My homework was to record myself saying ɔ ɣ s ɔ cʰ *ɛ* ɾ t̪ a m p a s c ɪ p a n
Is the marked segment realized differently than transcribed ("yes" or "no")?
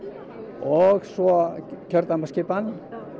yes